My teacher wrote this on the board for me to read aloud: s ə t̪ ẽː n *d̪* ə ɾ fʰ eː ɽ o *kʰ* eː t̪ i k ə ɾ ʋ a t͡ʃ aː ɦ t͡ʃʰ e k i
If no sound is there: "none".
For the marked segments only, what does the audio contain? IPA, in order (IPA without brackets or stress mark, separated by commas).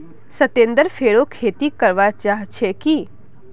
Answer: d̪, kʰ